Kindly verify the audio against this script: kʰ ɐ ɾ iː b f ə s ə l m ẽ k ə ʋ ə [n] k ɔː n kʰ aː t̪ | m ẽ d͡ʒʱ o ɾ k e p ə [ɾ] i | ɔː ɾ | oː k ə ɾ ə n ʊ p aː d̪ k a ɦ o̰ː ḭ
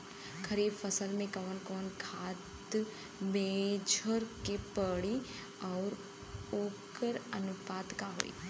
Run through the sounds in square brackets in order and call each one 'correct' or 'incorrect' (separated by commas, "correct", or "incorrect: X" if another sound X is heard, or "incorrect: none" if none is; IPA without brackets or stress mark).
correct, incorrect: ɽ